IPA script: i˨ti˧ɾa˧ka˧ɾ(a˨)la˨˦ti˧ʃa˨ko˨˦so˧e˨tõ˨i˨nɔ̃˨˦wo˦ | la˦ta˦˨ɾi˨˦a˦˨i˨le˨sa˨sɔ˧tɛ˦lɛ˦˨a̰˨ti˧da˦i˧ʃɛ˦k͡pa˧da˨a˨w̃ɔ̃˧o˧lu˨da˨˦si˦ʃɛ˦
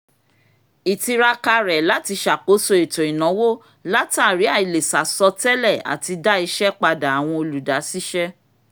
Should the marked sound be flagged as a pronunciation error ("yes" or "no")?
yes